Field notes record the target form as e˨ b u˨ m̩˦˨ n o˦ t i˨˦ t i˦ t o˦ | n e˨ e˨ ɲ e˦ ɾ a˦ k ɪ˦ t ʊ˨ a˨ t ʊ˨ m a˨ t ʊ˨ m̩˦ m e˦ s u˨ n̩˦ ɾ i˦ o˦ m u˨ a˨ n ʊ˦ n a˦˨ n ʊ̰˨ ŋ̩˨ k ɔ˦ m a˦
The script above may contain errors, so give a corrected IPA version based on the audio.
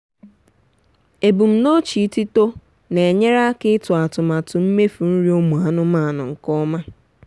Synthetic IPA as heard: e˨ b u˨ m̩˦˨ n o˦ t͡ʃ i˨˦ t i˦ t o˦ | n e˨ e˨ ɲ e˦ ɾ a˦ k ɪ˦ t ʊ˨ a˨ t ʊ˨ m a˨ t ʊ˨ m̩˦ m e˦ f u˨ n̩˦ ɾ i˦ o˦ m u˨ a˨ n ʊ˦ m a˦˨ n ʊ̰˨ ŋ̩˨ k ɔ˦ m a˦

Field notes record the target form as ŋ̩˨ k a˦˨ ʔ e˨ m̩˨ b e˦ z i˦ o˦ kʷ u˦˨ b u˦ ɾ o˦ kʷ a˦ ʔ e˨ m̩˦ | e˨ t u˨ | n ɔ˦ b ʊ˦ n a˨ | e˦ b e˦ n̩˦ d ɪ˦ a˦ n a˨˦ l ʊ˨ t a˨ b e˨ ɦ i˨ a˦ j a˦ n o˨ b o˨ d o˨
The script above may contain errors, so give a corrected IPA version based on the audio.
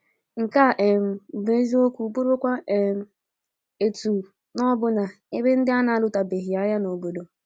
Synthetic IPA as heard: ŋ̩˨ k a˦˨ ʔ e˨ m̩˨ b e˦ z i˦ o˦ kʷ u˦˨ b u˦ ɾ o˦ kʷ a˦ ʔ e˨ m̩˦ | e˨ t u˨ | n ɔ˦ b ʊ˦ n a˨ | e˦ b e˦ n̩˦ d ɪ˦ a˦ n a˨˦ l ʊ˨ t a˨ b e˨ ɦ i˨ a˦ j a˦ n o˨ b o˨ d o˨

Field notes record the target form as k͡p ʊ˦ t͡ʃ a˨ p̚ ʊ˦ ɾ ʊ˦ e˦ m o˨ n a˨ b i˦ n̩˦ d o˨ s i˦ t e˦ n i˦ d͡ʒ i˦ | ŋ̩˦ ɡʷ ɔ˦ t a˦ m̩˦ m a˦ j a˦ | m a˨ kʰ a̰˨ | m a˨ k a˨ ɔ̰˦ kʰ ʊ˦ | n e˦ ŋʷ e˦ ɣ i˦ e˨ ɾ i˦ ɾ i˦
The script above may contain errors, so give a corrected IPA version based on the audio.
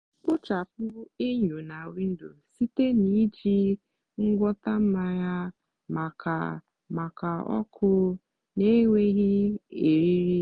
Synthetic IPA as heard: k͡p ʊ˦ t͡ʃ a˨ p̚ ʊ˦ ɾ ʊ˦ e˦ ɲ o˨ n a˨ w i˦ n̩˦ d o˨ s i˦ t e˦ n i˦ d͡ʒ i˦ | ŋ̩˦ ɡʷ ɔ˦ t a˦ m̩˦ m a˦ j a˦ | m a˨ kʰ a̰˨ | m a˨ k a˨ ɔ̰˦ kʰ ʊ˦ | n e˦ ŋʷ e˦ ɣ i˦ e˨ ɾ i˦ ɾ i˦

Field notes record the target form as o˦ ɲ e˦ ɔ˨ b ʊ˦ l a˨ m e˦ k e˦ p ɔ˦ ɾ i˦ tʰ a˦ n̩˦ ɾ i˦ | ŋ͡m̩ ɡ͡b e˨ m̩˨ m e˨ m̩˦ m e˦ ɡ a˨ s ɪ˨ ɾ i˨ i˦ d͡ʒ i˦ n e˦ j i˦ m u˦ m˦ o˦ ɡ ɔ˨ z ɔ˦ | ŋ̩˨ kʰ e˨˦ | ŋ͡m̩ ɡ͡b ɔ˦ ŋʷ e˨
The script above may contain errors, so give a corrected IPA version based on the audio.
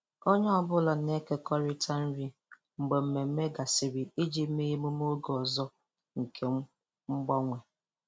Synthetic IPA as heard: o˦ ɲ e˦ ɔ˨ b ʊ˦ l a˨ n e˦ k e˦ k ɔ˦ ɾ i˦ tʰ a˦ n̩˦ ɾ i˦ | ŋ͡m̩ ɡ͡b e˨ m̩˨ m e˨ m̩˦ m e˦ ɡ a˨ s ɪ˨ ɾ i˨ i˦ d͡ʒ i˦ m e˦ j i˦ m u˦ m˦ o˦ ɡ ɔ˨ z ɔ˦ | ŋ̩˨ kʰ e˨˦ | ŋ͡m̩ ɡ͡b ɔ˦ ŋʷ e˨

